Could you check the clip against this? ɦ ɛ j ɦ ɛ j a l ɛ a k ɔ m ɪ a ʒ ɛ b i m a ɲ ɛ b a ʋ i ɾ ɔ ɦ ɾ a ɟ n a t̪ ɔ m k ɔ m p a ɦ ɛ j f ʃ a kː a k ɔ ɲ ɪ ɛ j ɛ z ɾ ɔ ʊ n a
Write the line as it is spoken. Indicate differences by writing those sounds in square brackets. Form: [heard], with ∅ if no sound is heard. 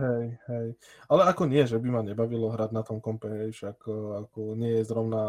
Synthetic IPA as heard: ɦ ɛ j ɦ ɛ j a l ɛ a k ɔ [ɲ] ɪ [ɛ] ʒ ɛ b i m a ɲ ɛ b a ʋ i [l] ɔ ɦ ɾ a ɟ n a t̪ ɔ m k ɔ m p [ɛ] ɦ ɛ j f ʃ a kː a k ɔ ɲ ɪ ɛ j ɛ z ɾ ɔ ʊ n a